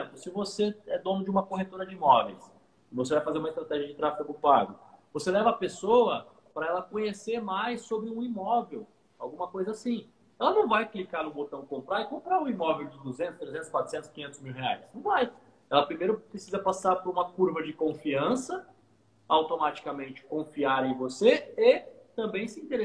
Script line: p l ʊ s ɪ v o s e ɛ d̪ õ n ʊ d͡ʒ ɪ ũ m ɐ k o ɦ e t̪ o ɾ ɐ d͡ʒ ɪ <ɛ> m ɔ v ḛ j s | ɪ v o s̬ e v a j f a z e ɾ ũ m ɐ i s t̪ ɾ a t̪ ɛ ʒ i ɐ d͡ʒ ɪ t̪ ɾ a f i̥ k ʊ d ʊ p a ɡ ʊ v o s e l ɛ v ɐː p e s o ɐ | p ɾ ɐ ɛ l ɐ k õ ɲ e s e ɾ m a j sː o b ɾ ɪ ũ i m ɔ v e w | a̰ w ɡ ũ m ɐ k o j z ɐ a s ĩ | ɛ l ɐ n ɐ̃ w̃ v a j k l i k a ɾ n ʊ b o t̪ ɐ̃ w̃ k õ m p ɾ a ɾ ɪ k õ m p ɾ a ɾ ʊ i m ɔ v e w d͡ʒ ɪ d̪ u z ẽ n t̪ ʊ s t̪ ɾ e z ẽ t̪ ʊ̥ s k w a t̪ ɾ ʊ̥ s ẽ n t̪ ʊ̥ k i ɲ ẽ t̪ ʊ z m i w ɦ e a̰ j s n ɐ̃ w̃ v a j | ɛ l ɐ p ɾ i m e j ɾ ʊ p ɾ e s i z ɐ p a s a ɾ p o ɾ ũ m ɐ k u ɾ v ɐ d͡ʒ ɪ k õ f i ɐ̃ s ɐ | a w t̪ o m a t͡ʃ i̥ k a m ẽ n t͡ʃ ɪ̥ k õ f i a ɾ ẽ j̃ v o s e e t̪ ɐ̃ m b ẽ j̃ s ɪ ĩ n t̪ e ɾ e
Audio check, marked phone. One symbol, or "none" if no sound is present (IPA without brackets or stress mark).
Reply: i